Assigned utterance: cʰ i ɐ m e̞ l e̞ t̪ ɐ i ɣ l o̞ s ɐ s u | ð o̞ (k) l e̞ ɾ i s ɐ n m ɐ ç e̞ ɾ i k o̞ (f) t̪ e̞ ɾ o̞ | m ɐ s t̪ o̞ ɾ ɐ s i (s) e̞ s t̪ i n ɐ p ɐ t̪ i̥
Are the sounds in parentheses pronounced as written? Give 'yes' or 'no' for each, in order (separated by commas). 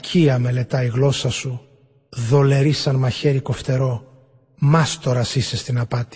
no, yes, yes